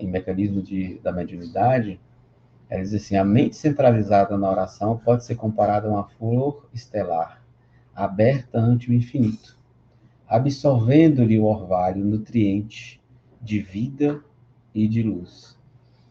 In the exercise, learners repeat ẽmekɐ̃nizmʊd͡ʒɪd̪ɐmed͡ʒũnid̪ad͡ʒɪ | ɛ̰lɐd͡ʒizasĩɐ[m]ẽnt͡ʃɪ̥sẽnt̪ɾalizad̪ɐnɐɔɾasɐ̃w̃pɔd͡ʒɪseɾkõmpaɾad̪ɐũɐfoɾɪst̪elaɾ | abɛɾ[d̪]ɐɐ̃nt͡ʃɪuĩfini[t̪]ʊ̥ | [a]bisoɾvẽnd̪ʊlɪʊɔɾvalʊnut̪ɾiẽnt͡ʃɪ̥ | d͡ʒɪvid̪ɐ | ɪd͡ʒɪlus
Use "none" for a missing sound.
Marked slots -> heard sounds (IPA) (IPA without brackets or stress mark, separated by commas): m, t̪, t̪, a